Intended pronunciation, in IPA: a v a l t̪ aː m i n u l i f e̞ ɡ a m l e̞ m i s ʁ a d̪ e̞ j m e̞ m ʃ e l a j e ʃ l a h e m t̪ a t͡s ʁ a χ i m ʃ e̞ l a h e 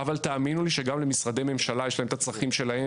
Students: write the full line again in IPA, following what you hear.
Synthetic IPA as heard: a v a l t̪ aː m i n u l i ʃ e̞ ɡ a m l e̞ m i s ʁ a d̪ e̞ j m e̞ m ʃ a l a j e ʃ l a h e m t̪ a t͡s ʁ a χ i m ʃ e̞ l a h e